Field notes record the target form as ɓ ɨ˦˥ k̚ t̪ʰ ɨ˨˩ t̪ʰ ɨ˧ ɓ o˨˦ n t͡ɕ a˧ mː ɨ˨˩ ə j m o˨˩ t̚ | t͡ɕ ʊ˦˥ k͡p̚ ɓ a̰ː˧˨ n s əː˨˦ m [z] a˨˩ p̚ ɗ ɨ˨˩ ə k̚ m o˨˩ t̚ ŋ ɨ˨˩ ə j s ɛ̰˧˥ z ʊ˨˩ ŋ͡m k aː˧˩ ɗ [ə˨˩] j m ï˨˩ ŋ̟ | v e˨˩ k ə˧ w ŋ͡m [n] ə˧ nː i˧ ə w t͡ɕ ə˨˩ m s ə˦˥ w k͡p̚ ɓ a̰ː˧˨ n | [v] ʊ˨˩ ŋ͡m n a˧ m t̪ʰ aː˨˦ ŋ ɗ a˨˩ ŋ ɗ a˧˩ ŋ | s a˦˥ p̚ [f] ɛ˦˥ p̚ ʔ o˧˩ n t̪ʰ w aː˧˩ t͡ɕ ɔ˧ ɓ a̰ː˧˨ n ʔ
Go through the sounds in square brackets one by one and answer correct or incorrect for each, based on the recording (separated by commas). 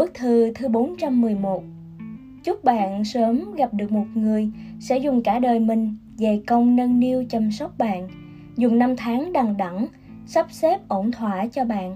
incorrect, incorrect, correct, incorrect, incorrect